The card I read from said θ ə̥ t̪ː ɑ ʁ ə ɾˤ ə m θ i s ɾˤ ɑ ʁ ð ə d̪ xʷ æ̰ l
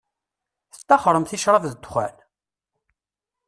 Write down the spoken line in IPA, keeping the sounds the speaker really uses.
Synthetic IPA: θ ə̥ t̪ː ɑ χ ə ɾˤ ə m θ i ʃ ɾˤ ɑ v ð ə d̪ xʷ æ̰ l